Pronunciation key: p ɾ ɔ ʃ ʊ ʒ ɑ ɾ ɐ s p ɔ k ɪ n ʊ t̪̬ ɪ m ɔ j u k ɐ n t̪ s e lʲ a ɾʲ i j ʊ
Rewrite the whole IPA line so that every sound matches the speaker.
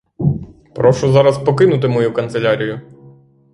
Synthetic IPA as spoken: p ɾ ɔ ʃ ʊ z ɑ ɾ ɐ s p ɔ k ɪ n ʊ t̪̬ ɪ m ɔ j u k ɐ n t̪ s e lʲ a ɾʲ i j ʊ